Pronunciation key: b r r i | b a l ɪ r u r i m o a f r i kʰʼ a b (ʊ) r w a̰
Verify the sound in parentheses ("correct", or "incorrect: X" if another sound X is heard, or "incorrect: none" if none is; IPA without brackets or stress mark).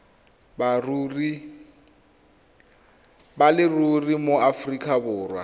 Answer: incorrect: ʊː